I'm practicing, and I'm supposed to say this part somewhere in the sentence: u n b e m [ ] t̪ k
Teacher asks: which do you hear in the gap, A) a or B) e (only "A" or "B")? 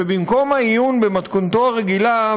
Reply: A